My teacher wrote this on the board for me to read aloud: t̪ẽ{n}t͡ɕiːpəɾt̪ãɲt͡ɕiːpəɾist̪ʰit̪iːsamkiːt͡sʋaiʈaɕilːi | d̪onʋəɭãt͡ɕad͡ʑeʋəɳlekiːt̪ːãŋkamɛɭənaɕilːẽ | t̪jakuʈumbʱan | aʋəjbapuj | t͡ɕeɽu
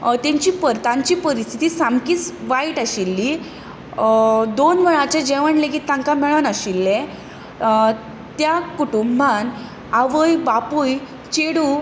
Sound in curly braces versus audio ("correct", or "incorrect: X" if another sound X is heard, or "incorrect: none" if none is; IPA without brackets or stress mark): incorrect: ɲ